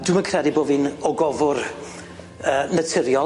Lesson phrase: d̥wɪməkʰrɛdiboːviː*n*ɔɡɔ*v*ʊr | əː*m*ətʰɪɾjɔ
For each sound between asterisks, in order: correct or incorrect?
correct, correct, incorrect: n

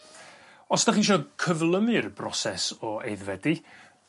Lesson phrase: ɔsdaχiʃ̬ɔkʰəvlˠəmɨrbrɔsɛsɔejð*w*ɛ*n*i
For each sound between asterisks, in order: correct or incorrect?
incorrect: v, incorrect: d

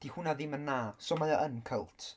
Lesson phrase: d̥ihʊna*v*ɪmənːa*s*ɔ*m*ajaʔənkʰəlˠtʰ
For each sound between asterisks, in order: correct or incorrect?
incorrect: ð, correct, correct

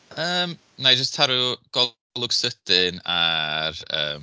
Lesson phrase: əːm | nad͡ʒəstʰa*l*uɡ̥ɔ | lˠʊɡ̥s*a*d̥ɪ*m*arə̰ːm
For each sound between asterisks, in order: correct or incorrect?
incorrect: ɾ, incorrect: ə, incorrect: n

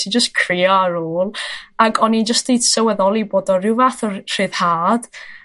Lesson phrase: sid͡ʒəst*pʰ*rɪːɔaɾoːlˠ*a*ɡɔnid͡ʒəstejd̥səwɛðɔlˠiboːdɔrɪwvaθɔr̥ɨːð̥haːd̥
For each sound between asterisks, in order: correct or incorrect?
incorrect: kʰ, correct

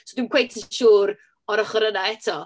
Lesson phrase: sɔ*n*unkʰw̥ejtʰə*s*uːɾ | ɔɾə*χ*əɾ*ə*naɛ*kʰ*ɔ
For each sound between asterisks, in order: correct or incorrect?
incorrect: d, incorrect: ʃ, correct, correct, incorrect: tʰ

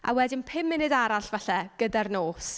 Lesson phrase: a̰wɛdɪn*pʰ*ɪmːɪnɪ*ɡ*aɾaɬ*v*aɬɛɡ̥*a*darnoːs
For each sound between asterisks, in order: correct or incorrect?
correct, incorrect: d, correct, incorrect: ə

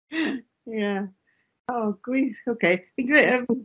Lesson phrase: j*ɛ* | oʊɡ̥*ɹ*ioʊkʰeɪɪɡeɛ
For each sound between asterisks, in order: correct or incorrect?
incorrect: æ, correct

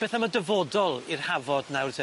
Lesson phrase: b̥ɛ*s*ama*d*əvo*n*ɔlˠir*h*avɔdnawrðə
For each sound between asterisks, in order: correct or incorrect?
incorrect: θ, correct, incorrect: d, correct

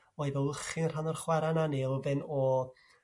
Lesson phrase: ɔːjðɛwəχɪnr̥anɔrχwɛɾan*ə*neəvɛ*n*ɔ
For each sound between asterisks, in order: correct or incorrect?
incorrect: a, correct

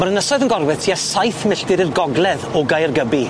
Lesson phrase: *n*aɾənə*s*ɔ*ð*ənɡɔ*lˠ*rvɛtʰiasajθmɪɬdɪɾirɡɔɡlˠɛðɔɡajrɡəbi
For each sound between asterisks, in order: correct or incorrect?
incorrect: m, correct, correct, incorrect: none

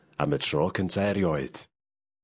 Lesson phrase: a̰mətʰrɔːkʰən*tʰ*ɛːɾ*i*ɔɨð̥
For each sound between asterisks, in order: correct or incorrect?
correct, incorrect: j

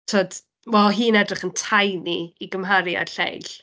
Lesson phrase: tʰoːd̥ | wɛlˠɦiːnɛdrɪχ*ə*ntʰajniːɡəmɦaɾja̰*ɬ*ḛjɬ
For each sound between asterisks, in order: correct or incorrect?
correct, correct

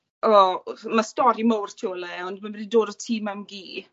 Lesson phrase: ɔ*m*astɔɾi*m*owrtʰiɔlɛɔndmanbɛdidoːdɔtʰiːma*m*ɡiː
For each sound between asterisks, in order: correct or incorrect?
correct, correct, correct

